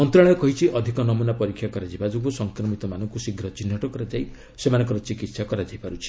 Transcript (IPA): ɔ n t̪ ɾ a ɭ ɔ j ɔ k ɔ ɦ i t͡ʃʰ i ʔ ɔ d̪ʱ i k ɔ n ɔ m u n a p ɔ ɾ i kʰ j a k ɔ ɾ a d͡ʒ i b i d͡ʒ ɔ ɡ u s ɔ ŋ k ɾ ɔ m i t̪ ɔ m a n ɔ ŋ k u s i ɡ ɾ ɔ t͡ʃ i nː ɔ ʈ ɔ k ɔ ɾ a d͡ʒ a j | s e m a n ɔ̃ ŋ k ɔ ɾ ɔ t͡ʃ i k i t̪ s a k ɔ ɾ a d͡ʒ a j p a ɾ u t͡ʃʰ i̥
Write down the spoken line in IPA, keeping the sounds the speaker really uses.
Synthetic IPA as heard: ɔ n t̪ ɾ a ɭ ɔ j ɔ k ɔ ɦ i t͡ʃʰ i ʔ ɔ d̪ʱ i k ɔ n ɔ m u n a p ɔ ɾ i kʰ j a k ɔ ɾ a d͡ʒ i b a d͡ʒ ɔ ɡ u s ɔ ŋ k ɾ ɔ m i t̪ ɔ m a n ɔ ŋ k u s i ɡ ɾ ɔ t͡ʃ i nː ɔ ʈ ɔ k ɔ ɾ a d͡ʒ a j | s e m a n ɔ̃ ŋ k ɔ ɾ ɔ t͡ʃ i k i t̪ s a k ɔ ɾ a d͡ʒ a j p a ɾ u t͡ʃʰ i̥